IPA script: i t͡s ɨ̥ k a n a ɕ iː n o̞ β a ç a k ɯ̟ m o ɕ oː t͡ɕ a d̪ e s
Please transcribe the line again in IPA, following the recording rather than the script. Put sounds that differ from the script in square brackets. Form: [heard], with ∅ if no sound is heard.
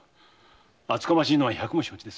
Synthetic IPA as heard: [a] t͡s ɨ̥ k a [m] a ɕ iː n o̞ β a ç a k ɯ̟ m o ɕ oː t͡ɕ [i] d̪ e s